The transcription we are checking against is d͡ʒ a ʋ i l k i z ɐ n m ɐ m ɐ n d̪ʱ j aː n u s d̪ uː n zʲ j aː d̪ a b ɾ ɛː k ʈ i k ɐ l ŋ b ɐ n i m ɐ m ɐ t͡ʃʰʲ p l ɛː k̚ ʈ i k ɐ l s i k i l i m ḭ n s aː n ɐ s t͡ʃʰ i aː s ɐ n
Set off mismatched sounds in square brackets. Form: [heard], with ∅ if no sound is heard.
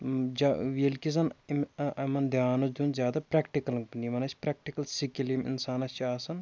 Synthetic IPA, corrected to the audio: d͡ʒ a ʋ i l k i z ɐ n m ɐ m ɐ n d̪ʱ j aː n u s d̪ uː n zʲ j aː d̪ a [p] ɾ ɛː k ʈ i k ɐ l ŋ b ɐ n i m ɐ [n] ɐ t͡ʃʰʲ p [ɾ] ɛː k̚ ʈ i k ɐ l s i k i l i m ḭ n s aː n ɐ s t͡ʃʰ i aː s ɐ n